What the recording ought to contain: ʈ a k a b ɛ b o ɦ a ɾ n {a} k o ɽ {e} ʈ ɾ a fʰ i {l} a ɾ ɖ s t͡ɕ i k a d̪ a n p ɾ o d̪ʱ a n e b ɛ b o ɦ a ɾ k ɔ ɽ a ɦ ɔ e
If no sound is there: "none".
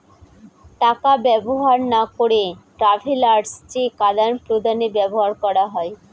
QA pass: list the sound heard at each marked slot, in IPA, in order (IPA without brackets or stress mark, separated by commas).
a, e, l